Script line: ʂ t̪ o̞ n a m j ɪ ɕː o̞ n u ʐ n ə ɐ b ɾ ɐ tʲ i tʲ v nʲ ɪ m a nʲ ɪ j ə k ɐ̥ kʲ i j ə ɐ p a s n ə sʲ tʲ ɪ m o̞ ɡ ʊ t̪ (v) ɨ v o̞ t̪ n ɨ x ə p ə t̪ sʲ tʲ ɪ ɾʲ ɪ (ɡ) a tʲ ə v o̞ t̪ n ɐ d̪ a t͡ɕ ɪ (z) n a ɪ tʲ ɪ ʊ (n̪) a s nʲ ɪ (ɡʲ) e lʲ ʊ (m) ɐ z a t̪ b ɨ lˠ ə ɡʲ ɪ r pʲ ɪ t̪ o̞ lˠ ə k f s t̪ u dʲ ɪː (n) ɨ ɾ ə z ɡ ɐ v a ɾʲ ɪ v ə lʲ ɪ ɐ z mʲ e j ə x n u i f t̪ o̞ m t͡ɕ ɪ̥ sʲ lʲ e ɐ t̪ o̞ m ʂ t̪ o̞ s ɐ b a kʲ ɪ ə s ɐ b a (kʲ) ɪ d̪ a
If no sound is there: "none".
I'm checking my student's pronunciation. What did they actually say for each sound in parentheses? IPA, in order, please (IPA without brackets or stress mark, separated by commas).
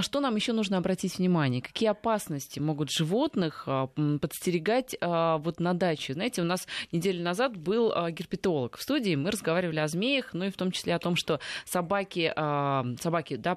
ʐ, ɡ, z, n̪, dʲ, n, m, kʲ